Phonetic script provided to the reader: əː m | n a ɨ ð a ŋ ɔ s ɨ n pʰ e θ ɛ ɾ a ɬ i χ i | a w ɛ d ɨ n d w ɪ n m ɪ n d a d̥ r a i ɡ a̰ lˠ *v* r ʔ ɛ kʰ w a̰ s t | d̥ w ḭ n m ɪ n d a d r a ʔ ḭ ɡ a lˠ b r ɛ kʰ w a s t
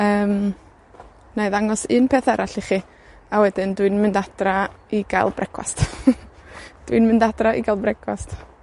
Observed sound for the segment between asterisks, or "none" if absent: b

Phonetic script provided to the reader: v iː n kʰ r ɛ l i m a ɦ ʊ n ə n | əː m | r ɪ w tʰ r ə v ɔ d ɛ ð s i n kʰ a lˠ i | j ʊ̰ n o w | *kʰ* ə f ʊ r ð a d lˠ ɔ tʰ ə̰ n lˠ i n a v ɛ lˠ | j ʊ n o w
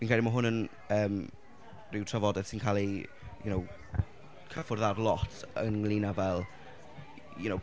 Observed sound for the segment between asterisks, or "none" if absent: kʰ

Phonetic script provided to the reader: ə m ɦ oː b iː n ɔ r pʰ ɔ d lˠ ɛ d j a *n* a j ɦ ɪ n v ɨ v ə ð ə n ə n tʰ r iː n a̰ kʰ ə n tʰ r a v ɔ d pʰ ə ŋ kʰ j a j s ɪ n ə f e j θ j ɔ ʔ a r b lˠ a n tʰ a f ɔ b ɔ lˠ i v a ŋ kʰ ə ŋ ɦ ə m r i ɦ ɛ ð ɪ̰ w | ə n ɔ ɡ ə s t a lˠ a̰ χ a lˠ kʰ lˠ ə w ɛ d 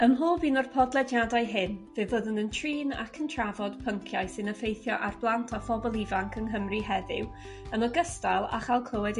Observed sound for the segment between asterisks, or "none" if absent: d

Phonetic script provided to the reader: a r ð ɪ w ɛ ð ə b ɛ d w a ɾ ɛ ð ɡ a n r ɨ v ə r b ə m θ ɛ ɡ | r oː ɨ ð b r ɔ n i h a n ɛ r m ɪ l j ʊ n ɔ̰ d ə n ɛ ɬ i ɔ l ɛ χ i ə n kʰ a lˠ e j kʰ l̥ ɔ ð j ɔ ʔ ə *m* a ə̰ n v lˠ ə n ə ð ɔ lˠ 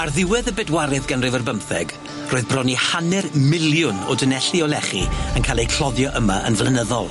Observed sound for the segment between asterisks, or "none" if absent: m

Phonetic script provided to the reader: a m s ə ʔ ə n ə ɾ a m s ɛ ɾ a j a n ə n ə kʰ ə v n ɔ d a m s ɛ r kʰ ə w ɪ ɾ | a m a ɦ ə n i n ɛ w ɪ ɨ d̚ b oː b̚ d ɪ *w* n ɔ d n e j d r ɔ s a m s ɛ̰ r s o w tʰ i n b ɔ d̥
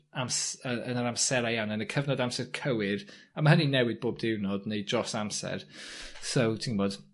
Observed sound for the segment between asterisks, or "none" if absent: w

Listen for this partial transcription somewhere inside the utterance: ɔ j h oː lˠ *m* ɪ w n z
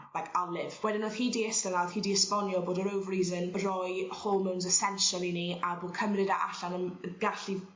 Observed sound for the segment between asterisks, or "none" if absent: m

